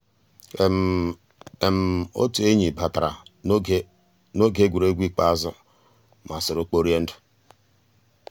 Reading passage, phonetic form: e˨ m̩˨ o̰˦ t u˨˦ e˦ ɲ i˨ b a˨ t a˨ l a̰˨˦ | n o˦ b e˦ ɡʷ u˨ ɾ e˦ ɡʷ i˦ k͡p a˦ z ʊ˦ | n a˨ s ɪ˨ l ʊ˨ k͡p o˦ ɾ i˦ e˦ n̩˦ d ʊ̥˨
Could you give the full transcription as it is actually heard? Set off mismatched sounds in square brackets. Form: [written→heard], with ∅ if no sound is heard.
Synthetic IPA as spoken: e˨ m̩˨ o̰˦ t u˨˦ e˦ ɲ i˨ b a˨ t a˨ [l→ɾ] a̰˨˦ | n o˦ [b→ɡ] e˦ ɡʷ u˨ ɾ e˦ ɡʷ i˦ k͡p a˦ z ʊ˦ | [n→m] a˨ s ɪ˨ [l→ɾ] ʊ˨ k͡p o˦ ɾ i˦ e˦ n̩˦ d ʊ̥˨